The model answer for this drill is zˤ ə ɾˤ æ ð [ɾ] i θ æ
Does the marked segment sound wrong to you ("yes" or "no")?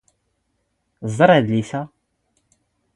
yes